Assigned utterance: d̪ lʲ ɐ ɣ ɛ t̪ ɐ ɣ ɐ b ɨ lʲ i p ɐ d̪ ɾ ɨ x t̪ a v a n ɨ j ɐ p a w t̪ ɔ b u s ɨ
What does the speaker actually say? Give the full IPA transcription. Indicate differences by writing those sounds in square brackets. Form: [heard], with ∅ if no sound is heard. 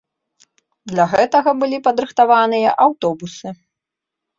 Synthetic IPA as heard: d̪ lʲ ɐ ɣ ɛ t̪ ɐ ɣ ɐ b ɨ lʲ i p ɐ d̪ ɾ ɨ x t̪ a v a n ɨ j ɐ [ʔ] a w t̪ ɔ b u s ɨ